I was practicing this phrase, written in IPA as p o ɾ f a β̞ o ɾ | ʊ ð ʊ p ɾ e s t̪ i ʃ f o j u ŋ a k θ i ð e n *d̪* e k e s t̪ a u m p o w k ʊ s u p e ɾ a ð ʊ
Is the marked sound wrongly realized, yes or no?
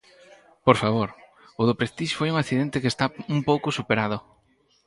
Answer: yes